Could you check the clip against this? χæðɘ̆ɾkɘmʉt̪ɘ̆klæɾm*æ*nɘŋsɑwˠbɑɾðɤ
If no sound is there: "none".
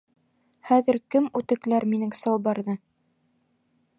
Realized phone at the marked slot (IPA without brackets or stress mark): i